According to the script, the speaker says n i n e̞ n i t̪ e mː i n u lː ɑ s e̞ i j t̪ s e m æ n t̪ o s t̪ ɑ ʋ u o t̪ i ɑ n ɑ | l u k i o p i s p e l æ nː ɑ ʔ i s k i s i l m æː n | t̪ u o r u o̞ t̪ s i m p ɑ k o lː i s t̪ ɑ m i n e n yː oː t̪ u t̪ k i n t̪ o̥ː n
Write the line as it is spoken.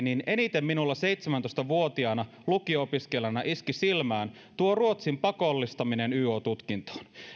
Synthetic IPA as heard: n i n e̞ n i t̪ e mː i n u lː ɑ s e̞ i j t̪ s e m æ n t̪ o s t̪ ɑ ʋ u o t̪ i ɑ n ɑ | l u k i o p i s k e l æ n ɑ ʔ i s k i s i l m æː n | t̪ u o r u o̞ t̪ s i m p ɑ k o lː i s t̪ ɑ m i n e n yː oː t̪ u t̪ k i n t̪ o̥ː n